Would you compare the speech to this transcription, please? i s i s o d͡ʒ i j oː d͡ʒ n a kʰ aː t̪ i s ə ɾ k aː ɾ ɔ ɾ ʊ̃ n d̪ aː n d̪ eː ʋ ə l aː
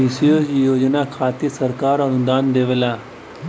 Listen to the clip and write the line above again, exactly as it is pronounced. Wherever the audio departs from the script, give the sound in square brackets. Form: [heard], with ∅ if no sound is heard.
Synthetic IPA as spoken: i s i [∅] o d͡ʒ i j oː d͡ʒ n a kʰ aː t̪ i s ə ɾ k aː ɾ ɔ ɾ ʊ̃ n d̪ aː n d̪ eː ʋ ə l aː